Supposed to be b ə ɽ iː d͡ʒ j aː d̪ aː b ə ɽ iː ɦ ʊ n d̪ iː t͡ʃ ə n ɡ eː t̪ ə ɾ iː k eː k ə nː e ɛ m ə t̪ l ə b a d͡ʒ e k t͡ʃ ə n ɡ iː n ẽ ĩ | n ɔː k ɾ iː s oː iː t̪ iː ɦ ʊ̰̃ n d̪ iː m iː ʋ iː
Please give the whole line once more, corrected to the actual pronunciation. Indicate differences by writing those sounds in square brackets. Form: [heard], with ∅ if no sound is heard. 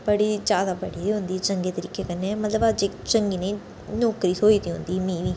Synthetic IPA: b ə ɽ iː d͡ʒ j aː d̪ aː b ə ɽ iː ɦ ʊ n d̪ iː t͡ʃ ə [ŋ] ɡ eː t̪ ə ɾ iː k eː k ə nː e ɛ m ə t̪ l ə b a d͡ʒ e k t͡ʃ ə [ŋ] ɡ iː n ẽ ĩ | n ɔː k ɾ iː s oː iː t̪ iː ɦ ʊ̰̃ n d̪ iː m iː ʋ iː